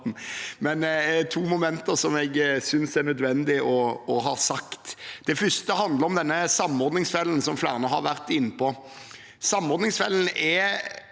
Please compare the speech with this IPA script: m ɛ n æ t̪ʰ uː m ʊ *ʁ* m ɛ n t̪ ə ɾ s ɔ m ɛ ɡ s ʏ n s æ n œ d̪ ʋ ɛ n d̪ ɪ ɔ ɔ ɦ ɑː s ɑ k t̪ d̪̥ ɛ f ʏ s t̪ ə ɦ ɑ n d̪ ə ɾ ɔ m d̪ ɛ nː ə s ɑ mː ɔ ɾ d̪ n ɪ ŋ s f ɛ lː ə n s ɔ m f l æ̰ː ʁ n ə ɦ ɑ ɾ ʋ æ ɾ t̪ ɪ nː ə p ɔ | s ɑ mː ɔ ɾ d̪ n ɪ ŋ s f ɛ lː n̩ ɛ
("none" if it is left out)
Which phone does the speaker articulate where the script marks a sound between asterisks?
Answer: none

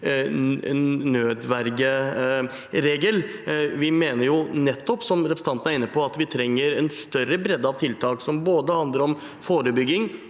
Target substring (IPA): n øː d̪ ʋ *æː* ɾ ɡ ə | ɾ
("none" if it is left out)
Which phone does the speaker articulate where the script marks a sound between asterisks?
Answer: æ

